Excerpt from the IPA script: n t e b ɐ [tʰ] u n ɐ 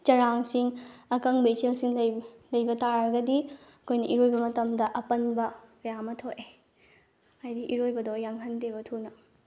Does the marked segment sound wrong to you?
no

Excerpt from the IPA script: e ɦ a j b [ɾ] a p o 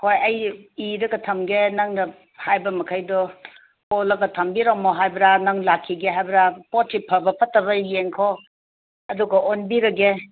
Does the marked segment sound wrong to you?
no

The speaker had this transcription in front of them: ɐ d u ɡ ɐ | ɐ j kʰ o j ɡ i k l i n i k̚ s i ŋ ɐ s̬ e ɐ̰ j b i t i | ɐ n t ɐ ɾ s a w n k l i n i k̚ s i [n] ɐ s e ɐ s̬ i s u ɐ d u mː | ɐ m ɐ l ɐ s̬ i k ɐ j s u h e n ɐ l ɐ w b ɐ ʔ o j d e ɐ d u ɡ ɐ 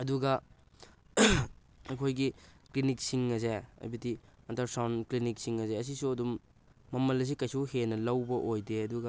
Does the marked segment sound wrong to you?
yes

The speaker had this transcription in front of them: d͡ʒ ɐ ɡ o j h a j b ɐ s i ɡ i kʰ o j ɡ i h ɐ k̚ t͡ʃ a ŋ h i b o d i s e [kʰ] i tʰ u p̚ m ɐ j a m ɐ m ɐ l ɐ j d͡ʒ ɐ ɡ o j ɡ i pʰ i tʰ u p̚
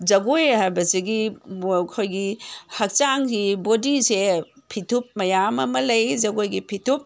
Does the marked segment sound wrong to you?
yes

